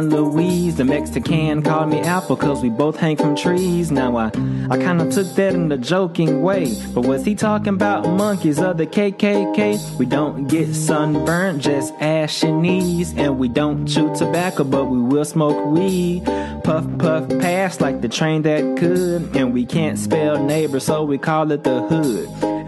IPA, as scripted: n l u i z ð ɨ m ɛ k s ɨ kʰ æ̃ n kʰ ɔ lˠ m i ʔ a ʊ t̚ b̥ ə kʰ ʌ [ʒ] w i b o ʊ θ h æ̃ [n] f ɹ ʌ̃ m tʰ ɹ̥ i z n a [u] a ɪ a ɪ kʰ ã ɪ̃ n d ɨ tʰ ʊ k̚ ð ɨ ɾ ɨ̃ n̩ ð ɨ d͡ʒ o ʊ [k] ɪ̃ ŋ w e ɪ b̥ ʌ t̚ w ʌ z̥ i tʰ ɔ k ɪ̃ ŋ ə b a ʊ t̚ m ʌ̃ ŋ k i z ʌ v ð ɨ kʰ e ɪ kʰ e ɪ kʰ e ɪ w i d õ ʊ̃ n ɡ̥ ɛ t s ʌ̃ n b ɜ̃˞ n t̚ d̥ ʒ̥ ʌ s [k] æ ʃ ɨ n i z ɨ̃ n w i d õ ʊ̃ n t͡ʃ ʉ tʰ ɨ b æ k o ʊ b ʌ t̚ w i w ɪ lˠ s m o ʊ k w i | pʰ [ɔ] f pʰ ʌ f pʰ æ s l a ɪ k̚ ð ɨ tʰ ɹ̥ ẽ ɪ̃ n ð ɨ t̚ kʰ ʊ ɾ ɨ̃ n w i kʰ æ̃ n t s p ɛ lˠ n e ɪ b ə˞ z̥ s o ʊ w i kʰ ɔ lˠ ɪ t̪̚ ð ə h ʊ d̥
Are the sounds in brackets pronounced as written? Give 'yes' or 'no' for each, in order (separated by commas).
no, no, no, yes, no, no